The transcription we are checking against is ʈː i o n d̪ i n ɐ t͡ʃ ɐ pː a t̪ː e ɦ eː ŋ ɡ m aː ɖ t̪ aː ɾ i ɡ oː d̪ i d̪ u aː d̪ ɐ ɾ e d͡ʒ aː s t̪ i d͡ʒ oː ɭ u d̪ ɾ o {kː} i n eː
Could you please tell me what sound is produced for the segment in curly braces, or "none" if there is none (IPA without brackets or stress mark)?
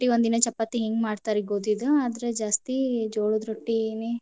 ʈː